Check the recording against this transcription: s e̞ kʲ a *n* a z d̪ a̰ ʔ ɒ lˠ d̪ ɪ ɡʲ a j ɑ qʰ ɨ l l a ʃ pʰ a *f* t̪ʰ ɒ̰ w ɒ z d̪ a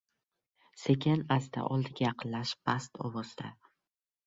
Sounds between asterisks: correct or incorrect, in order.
correct, incorrect: s

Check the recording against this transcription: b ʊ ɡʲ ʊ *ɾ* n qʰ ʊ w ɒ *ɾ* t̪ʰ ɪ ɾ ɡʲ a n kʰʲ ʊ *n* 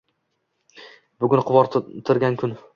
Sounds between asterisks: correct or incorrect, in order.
incorrect: none, correct, correct

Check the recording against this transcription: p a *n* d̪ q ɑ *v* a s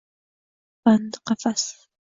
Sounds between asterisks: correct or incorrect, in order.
correct, incorrect: f

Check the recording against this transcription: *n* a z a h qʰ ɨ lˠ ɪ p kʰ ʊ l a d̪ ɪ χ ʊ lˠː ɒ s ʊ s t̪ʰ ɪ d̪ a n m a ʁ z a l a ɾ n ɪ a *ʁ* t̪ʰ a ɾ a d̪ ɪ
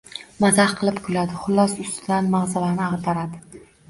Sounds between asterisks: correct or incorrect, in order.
incorrect: m, correct

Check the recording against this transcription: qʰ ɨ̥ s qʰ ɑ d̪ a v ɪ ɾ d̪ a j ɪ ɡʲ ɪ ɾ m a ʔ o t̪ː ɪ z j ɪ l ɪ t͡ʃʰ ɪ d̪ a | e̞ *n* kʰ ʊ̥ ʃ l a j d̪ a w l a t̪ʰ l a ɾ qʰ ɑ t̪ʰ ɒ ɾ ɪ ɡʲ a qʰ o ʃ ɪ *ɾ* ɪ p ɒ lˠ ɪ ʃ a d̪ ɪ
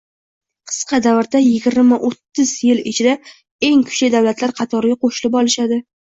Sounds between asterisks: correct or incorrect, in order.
incorrect: ŋ, incorrect: l

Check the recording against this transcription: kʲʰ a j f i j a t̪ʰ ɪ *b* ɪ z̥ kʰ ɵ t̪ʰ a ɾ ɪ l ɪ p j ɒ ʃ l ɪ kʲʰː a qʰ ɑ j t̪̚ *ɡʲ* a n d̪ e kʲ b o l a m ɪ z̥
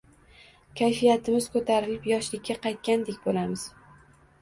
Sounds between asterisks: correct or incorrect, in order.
incorrect: m, incorrect: kʲ

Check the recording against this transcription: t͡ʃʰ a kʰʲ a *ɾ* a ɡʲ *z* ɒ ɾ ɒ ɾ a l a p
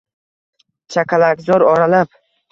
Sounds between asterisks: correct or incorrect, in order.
incorrect: l, correct

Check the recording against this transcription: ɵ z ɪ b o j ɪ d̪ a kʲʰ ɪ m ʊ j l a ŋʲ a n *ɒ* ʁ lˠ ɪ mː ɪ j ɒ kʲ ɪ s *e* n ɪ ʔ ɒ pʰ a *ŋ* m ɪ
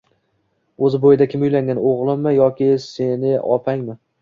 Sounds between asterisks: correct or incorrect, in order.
incorrect: o, correct, correct

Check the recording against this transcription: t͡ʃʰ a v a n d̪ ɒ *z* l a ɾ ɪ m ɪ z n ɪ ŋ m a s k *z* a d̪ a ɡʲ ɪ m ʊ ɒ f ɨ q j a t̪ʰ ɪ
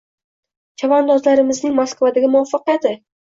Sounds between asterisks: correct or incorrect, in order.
correct, incorrect: v

